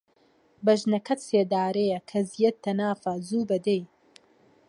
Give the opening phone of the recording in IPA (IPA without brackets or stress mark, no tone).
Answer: b